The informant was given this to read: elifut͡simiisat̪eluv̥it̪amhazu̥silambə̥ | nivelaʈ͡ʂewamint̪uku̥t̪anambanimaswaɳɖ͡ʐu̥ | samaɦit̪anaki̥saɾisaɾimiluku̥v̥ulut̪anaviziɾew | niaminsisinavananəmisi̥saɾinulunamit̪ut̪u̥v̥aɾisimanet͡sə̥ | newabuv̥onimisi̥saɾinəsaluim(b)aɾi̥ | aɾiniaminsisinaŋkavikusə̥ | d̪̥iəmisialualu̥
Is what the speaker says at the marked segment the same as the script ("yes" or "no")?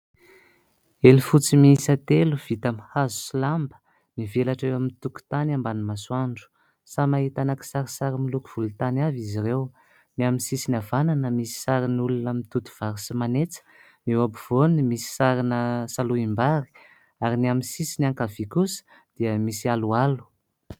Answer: yes